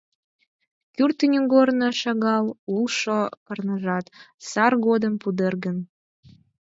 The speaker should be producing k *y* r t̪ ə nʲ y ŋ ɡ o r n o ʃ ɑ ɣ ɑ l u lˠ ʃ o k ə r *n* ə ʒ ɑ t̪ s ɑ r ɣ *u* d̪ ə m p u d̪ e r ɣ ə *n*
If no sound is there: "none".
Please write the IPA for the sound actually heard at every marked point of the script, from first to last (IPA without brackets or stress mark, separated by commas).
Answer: y, n, o, n